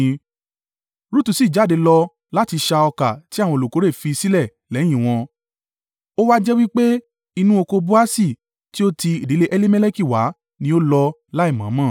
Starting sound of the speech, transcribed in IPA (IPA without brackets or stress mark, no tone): ɾ